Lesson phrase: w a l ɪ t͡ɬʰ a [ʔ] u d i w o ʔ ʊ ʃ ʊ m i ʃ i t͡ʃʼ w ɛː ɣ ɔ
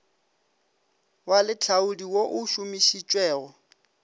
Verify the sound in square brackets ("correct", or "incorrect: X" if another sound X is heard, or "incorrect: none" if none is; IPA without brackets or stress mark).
incorrect: none